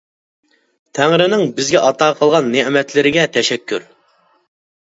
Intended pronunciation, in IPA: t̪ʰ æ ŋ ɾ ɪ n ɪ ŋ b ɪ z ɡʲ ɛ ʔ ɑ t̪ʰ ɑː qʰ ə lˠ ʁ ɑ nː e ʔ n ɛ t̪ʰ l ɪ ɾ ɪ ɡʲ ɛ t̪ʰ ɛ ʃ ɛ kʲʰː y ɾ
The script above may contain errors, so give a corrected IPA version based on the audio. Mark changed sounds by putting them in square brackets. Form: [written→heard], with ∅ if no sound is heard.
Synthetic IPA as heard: t̪ʰ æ ŋ ɾ ɪ n ɪ ŋ b ɪ z ɡʲ ɛ ʔ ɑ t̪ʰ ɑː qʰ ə lˠ ʁ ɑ nː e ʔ [n→m] ɛ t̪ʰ l ɪ ɾ ɪ ɡʲ ɛ t̪ʰ ɛ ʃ ɛ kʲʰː y ɾ